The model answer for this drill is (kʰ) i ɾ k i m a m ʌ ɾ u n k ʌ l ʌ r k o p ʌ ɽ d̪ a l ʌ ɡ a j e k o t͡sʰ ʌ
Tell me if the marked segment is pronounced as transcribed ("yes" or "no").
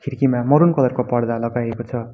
yes